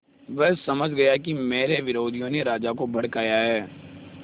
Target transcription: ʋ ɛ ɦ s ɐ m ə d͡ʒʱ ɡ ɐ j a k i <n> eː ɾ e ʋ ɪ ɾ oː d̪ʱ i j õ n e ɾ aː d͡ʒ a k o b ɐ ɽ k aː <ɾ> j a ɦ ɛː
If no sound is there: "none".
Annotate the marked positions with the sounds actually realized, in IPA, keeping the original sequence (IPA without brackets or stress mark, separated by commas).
m, none